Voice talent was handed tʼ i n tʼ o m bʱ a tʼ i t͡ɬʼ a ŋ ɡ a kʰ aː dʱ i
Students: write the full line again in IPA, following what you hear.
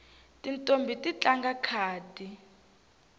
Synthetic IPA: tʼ i n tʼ o m bʱ i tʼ i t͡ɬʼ a ŋ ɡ a kʰ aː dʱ i